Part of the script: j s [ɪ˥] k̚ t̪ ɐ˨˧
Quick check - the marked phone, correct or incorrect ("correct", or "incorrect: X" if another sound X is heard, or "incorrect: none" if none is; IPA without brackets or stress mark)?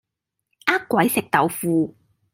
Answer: incorrect: ɪ˨